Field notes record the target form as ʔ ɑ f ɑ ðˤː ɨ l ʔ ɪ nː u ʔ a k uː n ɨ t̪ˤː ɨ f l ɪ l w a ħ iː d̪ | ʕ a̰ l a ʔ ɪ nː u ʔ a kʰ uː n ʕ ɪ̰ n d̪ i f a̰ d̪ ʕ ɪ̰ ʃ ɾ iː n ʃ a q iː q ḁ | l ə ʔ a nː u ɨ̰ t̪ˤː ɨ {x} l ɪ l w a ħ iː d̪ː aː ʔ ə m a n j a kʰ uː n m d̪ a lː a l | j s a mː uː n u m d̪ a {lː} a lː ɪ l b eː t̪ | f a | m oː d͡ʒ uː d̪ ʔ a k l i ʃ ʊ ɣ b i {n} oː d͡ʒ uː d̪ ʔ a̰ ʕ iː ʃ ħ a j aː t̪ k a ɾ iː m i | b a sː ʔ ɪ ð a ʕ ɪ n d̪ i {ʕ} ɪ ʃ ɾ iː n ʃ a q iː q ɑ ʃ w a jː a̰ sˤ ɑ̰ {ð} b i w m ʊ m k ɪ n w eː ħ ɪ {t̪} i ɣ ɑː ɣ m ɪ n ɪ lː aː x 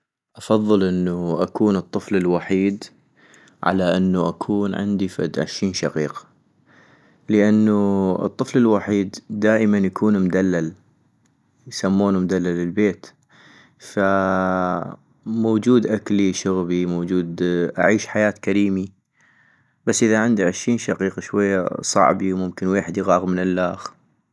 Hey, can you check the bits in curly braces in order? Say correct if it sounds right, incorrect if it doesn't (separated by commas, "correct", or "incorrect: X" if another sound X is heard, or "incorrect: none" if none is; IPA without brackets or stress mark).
incorrect: f, correct, incorrect: m, correct, incorrect: ʕ, incorrect: d̪